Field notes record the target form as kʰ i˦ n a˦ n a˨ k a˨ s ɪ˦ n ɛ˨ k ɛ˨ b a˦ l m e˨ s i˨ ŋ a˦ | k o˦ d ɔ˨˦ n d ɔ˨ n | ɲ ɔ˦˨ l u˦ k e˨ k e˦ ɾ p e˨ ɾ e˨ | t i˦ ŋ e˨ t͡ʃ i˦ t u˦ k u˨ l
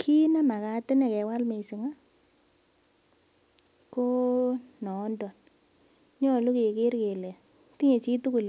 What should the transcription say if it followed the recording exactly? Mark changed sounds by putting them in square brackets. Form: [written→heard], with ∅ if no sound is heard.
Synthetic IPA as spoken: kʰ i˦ n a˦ [n→m] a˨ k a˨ [s→t] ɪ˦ n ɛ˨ k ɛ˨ [b→w] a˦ l m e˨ s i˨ ŋ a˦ | k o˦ [d→n] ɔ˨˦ n d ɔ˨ n | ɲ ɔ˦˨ l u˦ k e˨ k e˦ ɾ [p→k] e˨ [ɾ→l] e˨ | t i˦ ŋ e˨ t͡ʃ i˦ t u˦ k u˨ l